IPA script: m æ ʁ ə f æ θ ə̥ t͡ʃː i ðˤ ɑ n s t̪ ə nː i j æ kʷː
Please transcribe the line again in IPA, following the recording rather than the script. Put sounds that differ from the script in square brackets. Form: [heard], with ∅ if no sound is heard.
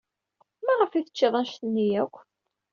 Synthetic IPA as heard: m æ ʁ ə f [i] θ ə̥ t͡ʃː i ðˤ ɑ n [ʃ] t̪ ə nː i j æ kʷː